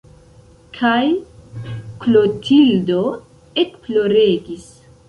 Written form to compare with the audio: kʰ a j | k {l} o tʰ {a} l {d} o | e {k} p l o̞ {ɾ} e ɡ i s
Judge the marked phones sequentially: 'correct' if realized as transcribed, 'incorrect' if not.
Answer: correct, incorrect: i, correct, correct, correct

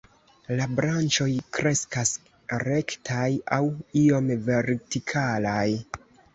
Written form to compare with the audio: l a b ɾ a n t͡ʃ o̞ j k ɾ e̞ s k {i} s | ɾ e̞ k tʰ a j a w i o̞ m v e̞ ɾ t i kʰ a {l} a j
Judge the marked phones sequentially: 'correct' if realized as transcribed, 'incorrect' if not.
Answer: incorrect: a, correct

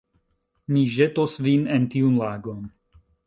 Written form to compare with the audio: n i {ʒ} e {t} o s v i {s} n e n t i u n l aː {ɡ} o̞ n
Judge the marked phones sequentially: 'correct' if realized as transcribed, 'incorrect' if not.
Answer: correct, correct, incorrect: none, correct

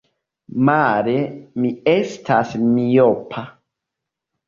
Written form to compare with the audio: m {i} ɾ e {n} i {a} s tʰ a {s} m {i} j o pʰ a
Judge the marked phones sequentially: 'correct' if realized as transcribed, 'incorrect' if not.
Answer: incorrect: a, incorrect: m, incorrect: e, correct, correct

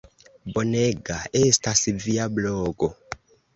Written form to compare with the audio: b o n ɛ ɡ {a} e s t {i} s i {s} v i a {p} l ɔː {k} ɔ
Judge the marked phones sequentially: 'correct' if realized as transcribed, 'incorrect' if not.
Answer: correct, incorrect: a, incorrect: none, incorrect: b, incorrect: ɡ

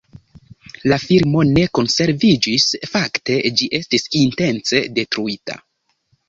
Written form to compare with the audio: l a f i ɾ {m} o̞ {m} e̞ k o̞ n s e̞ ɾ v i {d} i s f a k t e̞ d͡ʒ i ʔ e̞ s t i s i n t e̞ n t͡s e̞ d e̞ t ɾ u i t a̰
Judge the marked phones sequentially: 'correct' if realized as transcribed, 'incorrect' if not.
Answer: correct, incorrect: n, incorrect: d͡ʒ

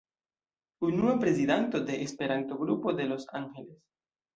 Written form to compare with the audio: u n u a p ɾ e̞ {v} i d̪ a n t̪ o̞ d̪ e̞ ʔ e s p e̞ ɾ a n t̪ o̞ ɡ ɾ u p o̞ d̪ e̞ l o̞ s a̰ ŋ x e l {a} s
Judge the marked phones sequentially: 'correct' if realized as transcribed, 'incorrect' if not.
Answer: incorrect: z, incorrect: e

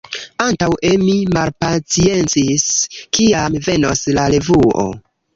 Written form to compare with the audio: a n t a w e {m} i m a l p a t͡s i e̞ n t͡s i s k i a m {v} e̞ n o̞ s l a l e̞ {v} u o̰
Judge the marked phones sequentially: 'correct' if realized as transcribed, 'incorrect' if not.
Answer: correct, correct, correct

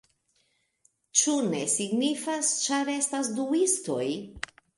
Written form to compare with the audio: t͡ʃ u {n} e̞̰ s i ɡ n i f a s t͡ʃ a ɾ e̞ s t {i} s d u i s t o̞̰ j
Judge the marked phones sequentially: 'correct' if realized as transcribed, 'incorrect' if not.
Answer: correct, incorrect: a

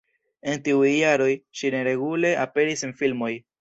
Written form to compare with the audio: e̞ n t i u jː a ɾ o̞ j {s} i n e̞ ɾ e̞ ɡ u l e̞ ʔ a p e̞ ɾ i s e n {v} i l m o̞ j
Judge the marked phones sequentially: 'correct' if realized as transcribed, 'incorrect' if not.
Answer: incorrect: ʃ, incorrect: f

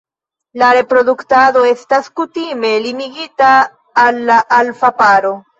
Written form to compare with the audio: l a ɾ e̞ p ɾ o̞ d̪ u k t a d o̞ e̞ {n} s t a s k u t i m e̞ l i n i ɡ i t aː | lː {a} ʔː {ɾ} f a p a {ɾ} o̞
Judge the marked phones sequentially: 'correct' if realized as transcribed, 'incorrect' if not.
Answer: incorrect: none, correct, incorrect: l, correct

